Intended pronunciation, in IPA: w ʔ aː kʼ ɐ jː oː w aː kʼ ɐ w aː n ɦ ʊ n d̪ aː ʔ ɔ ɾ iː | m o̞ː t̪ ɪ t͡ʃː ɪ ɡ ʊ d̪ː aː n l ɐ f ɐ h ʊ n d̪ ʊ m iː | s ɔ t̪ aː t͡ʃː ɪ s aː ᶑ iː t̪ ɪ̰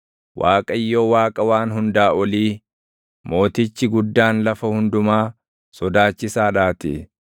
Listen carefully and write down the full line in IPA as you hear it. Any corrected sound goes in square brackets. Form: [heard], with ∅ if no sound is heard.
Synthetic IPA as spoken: w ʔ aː kʼ ɐ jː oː w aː kʼ ɐ w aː n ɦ ʊ n d̪ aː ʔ ɔ [l] iː | m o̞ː t̪ ɪ t͡ʃː ɪ ɡ ʊ d̪ː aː n l ɐ f ɐ h ʊ n d̪ ʊ m [aː] | s ɔ [d̪] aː t͡ʃː ɪ s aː ᶑ [aː] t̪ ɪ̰

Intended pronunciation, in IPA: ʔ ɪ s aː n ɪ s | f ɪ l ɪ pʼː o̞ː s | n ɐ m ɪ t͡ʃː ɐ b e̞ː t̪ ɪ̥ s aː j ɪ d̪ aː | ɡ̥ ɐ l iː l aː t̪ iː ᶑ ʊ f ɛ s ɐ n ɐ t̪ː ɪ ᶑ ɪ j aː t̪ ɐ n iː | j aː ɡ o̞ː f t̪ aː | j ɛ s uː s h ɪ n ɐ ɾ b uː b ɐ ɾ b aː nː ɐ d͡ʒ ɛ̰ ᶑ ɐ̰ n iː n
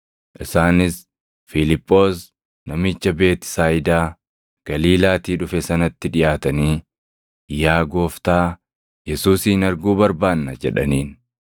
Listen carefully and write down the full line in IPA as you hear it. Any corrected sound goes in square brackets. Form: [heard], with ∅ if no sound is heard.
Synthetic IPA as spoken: ʔ ɪ s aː n ɪ s | f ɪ l ɪ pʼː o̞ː s | n ɐ m ɪ t͡ʃː ɐ b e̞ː t̪ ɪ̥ s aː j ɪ d̪ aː | ɡ̥ ɐ l iː l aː t̪ iː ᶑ ʊ f ɛ s ɐ n ɐ t̪ː ɪ ᶑ ɪ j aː t̪ ɐ n iː | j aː ɡ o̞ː f t̪ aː | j ɛ s uː s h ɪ n ɐ ɾ [ɡ] uː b ɐ ɾ b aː nː ɐ d͡ʒ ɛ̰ ᶑ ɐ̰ n iː n

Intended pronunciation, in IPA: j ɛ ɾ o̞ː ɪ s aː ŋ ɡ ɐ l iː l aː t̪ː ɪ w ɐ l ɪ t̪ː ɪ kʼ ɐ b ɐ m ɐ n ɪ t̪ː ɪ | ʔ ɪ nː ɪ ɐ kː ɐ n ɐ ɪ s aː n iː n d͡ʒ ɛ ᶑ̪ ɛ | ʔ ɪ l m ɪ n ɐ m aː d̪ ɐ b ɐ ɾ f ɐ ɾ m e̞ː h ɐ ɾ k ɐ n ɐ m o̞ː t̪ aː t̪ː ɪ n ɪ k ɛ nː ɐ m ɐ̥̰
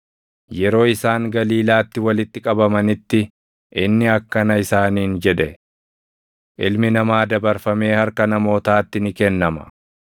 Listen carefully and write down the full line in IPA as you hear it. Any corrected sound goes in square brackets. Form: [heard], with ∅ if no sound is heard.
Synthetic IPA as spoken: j ɛ ɾ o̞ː ɪ s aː ŋ ɡ ɐ l iː l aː t̪ː ɪ w ɐ l ɪ t̪ː ɪ kʼ ɐ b ɐ m ɐ n ɪ t̪ː ɪ | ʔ ɪ nː ɪ ɐ kː ɐ n ɐ ɪ s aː n iː n d͡ʒ ɛ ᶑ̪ ɛ | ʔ ɪ l m ɪ n ɐ m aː d̪ ɐ b ɐ ɾ f ɐ [∅] m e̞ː h ɐ ɾ k ɐ n ɐ m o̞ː t̪ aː t̪ː ɪ n ɪ k ɛ nː ɐ m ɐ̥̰

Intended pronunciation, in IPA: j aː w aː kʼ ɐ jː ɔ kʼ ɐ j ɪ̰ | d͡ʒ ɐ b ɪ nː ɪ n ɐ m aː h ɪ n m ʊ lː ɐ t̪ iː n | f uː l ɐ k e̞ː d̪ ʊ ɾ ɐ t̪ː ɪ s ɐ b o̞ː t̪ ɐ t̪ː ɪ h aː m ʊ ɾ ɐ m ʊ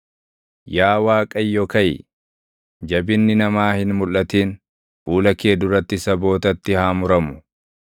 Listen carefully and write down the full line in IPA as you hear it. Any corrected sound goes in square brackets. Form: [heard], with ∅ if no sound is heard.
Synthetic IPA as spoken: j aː w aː kʼ ɐ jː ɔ [k] ɐ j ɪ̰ | d͡ʒ ɐ b ɪ nː ɪ n ɐ m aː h ɪ n m ʊ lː ɐ t̪ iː n | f uː l ɐ k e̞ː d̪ ʊ ɾ ɐ t̪ː ɪ s ɐ b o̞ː t̪ ɐ t̪ː ɪ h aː m ʊ ɾ ɐ m ʊ

